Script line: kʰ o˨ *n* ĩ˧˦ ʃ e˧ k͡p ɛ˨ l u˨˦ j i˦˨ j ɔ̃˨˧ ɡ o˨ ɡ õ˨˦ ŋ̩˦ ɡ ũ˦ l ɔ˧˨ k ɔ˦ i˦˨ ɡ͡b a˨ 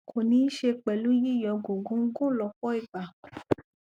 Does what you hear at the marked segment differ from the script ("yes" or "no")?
no